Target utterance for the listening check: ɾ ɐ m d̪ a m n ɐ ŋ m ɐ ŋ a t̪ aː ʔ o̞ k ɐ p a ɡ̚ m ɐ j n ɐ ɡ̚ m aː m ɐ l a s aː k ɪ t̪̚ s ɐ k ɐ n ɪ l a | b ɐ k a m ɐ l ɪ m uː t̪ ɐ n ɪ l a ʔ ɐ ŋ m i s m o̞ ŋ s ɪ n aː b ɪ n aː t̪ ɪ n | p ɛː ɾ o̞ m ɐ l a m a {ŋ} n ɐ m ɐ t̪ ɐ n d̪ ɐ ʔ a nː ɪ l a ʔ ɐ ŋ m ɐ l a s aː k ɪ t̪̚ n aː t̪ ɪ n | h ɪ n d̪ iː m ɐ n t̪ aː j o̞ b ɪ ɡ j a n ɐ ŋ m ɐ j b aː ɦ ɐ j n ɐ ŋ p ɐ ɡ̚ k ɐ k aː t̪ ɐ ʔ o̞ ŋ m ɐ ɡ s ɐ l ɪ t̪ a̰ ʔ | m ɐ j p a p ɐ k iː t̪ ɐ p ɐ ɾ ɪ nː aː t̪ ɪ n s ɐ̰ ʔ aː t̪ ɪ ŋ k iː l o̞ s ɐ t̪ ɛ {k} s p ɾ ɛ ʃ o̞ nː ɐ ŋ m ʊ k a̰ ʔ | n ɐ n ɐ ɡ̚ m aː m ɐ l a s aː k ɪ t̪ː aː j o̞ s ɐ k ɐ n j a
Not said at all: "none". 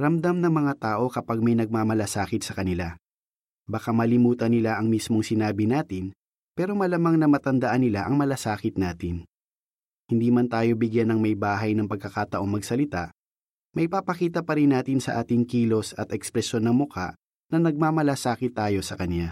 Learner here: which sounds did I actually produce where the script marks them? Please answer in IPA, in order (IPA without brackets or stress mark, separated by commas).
ŋ, k